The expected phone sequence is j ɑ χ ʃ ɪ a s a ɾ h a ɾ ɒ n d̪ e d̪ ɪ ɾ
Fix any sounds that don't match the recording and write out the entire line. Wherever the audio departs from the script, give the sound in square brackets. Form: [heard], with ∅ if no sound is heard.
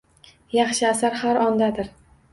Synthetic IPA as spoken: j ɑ χ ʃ ɪ a s a ɾ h a ɾ ɒ n d̪ [a] d̪ ɪ ɾ